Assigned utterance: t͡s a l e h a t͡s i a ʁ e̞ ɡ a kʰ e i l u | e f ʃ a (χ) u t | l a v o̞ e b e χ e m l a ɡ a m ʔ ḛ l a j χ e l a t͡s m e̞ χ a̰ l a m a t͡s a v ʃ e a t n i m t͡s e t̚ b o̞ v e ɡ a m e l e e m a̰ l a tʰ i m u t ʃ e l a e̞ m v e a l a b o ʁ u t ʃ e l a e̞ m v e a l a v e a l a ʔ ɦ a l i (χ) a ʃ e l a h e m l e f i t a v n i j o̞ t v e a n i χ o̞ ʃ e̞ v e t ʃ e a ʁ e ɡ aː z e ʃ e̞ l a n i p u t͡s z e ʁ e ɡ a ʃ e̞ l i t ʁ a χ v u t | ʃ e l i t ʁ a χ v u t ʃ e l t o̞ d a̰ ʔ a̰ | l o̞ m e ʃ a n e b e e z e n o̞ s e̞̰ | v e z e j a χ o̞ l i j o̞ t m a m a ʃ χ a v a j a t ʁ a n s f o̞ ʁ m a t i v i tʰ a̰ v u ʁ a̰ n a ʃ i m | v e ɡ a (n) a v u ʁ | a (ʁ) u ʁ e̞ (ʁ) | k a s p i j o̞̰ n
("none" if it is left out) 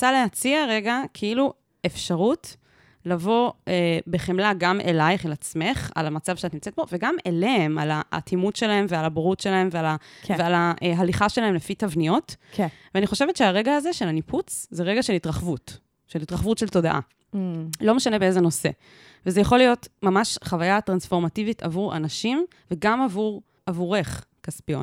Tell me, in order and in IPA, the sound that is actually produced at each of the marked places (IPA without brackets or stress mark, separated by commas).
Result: ʁ, χ, m, v, χ